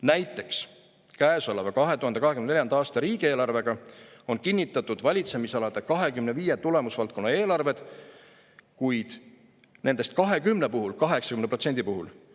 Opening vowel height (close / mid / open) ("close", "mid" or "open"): open